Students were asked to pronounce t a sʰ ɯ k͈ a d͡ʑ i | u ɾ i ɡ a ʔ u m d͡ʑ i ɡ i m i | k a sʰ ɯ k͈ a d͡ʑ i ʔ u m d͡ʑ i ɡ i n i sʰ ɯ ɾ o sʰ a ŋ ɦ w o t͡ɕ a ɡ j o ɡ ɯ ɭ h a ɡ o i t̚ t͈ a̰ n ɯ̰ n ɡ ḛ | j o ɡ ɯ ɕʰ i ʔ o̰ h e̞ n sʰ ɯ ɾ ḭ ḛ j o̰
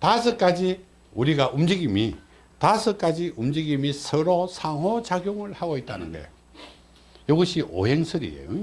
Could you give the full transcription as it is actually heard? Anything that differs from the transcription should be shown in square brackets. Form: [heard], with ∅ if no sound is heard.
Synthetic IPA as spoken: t a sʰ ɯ k͈ a d͡ʑ i | u ɾ i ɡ a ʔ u m d͡ʑ i ɡ i m i | [t] a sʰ ɯ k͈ a d͡ʑ i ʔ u m d͡ʑ i ɡ i [m] i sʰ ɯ ɾ o sʰ a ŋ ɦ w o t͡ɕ a ɡ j o [ŋ] ɯ ɭ h a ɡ o i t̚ t͈ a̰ n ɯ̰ n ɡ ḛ | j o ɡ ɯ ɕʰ i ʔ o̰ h e̞ [ŋ] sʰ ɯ ɾ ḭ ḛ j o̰